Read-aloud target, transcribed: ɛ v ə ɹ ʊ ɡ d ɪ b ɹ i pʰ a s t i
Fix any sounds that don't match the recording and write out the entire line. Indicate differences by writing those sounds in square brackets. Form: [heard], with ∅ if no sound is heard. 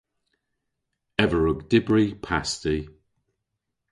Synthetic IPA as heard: ɛ v ə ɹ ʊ ɡ d ɪ b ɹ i pʰ a s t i